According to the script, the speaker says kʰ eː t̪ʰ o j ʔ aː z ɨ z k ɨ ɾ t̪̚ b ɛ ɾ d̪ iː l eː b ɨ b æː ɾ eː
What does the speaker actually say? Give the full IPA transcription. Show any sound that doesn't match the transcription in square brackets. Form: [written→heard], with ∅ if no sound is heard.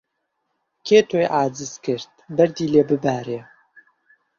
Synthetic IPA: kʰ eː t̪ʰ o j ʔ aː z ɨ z k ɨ ɾ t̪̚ b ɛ ɾ d̪ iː l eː b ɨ b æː ɾ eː

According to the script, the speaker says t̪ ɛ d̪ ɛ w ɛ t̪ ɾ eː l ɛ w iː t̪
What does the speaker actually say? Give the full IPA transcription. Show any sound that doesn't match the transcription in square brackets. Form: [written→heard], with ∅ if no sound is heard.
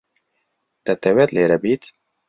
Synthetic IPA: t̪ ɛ [d̪→t̪] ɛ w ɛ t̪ [ɾ→l] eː [l→ɾ] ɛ [w→b] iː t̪

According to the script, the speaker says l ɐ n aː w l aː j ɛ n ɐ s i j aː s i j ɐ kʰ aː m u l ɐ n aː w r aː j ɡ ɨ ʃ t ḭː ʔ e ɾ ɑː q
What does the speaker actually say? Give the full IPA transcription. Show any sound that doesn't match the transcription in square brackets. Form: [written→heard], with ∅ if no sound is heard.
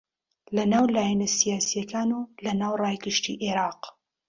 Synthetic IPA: l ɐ n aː w l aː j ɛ n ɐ s i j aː s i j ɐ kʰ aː [m→n] u l ɐ n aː w r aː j ɡ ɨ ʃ t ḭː ʔ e ɾ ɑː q

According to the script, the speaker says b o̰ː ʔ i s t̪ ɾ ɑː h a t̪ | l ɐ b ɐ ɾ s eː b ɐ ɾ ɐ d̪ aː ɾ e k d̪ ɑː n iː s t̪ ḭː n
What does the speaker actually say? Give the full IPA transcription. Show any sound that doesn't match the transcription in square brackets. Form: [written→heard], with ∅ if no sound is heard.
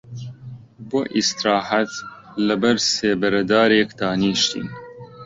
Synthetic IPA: b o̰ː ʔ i s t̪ ɾ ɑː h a t̪ | l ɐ b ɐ ɾ s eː b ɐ ɾ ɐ d̪ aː ɾ e k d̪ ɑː n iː [s→ʃ] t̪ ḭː n

